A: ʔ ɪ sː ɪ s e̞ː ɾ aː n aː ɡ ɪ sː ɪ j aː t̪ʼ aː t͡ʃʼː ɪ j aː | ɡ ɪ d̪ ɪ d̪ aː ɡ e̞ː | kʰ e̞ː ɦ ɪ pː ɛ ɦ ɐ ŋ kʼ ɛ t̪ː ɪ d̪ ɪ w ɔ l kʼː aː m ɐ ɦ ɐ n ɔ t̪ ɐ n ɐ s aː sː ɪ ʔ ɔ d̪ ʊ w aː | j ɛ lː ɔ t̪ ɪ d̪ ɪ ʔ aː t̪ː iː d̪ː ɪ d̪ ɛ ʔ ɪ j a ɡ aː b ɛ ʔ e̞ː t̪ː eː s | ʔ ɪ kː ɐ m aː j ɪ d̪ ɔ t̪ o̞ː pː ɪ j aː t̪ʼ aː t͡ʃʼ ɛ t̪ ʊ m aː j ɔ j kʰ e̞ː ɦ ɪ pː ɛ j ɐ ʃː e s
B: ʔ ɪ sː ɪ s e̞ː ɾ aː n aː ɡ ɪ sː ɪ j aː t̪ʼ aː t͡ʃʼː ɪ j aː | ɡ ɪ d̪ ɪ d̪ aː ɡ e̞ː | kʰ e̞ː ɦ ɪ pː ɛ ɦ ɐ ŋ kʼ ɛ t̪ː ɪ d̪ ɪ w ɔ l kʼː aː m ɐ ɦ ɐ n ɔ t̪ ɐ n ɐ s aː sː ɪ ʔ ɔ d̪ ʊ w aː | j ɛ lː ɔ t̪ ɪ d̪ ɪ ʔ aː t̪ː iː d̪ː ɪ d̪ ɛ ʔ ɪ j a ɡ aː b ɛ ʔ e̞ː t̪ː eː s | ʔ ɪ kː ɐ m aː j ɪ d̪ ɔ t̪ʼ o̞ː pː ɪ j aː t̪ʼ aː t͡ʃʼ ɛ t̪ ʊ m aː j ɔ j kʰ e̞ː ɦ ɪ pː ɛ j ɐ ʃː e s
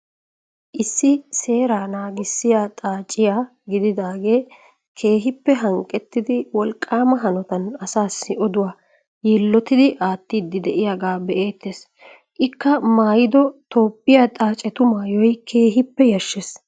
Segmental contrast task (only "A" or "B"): A